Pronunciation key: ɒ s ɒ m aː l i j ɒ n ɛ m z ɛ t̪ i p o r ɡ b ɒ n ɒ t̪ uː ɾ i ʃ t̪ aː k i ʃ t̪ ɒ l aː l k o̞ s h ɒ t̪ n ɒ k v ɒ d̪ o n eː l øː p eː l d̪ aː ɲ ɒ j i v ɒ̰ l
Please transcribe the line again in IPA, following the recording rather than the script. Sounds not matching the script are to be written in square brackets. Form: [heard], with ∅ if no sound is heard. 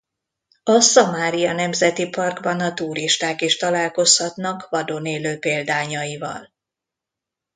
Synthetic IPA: ɒ s ɒ m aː [ɾ] i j ɒ n ɛ m z ɛ t̪ i p [ɒ] r ɡ b ɒ n ɒ t̪ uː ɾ i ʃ t̪ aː k i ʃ t̪ ɒ l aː l k o̞ s h ɒ t̪ n ɒ k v ɒ d̪ o n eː l øː p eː l d̪ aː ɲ ɒ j i v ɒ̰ l